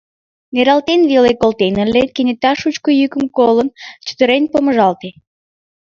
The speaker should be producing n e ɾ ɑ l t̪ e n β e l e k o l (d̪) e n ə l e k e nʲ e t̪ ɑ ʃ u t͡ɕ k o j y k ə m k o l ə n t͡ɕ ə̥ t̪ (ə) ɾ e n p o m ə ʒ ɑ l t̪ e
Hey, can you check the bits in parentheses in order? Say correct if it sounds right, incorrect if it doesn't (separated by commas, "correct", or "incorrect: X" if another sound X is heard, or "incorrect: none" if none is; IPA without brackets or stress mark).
incorrect: t̪, correct